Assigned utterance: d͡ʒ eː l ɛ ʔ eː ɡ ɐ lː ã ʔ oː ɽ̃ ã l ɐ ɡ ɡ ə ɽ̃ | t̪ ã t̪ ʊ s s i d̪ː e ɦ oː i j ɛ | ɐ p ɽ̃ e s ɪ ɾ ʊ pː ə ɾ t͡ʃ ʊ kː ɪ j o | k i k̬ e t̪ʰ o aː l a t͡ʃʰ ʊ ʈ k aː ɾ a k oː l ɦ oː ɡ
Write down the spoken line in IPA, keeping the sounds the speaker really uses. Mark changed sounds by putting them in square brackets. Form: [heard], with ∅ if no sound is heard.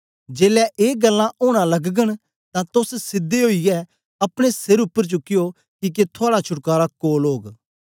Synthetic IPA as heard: d͡ʒ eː l ɛ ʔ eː ɡ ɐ lː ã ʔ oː ɽ̃ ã l ɐ ɡ ɡ ə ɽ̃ | t̪ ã t̪ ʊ s s [ɪ] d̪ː e ɦ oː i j ɛ | ɐ p ɽ̃ e s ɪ ɾ ʊ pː ə ɾ t͡ʃ ʊ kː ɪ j o | k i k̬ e t̪ʰ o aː [ɽ] a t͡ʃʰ ʊ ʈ k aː ɾ a k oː l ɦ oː ɡ

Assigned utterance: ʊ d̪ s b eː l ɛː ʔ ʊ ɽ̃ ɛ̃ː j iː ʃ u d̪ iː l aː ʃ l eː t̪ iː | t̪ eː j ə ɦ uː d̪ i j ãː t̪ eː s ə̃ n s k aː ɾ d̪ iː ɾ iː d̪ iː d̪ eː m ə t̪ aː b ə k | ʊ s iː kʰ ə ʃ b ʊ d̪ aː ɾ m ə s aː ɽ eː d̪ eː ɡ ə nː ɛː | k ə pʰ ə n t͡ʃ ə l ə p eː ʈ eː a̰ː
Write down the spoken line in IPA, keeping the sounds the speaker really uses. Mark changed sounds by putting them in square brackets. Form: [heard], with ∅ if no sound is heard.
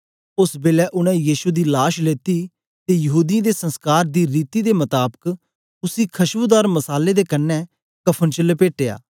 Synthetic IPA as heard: ʊ [∅] s b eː l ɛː ʔ ʊ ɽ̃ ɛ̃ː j iː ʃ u d̪ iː l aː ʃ l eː t̪ iː | t̪ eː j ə ɦ uː d̪ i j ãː [d̪] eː s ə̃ n s k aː ɾ d̪ iː ɾ iː [t̪] iː d̪ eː m ə t̪ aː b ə k | ʊ s iː kʰ ə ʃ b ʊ d̪ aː ɾ m ə s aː [l] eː d̪ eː [k] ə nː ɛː | k ə pʰ ə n t͡ʃ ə l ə p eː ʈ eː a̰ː

